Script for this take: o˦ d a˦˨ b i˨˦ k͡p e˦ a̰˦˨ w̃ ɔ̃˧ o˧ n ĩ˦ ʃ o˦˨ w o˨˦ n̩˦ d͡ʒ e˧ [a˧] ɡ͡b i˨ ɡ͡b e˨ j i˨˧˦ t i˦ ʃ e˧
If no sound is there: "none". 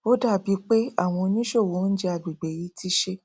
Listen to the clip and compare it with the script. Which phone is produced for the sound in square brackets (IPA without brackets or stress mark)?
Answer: a˧